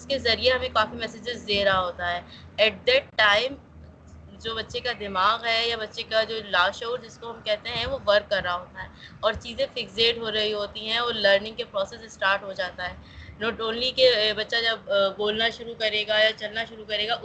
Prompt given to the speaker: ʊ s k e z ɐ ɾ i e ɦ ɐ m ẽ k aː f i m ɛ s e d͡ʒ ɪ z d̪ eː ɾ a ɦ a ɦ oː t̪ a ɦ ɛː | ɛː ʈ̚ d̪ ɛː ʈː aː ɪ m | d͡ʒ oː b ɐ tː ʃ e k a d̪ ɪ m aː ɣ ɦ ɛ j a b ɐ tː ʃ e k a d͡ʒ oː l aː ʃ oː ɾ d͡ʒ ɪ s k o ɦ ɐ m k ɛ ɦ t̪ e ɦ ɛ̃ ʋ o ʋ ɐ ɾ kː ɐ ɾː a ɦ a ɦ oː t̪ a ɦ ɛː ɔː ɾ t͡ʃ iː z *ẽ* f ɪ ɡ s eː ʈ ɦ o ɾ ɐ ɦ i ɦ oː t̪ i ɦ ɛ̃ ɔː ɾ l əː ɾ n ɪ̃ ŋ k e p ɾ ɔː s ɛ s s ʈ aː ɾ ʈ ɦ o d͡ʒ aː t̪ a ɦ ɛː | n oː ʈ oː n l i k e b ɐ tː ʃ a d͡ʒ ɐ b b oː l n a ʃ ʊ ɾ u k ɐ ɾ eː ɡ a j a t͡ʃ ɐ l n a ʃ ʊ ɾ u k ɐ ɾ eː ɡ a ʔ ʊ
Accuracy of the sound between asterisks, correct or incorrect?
correct